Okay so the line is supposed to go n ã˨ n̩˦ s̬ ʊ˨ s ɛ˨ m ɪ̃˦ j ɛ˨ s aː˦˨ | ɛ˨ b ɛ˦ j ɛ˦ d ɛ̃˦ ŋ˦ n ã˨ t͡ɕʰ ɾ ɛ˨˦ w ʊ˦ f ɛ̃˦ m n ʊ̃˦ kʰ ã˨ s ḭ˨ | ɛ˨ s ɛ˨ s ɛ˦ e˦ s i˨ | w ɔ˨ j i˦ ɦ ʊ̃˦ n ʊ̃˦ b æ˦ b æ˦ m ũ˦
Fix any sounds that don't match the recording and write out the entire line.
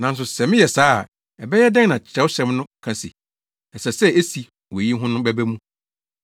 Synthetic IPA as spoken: n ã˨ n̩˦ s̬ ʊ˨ s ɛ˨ m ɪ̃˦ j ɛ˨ s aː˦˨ | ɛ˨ b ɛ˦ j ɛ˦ d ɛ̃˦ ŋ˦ n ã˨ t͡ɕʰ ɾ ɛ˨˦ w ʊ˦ ɕ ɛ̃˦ m n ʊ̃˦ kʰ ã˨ s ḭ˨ | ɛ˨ s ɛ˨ s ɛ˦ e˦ s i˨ | w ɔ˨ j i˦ ɦ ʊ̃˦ n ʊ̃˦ b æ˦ b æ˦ m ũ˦